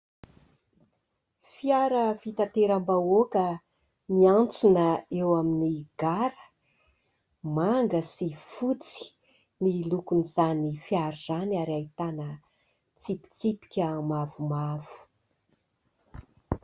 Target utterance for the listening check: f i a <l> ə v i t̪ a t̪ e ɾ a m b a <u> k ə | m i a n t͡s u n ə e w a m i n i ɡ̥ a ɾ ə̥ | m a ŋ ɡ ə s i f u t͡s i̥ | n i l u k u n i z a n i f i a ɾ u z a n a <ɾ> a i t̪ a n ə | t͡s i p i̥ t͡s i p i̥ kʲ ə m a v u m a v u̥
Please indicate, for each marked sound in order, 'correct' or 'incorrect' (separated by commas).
incorrect, incorrect, correct